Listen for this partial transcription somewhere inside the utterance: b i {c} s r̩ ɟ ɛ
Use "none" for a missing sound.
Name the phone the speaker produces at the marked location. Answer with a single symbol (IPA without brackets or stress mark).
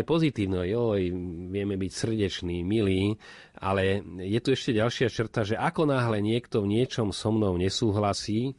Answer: c